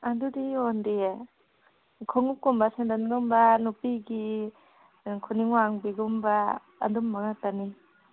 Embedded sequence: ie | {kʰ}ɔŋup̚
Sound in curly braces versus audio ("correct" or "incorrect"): correct